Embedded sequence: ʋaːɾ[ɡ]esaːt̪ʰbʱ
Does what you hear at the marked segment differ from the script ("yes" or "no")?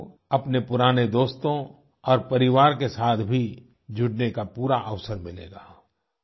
yes